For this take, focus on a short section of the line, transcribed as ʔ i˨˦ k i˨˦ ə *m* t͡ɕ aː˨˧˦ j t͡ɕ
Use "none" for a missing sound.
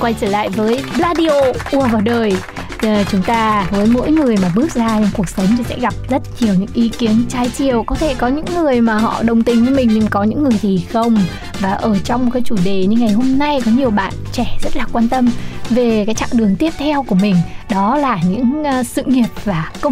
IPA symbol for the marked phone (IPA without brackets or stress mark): n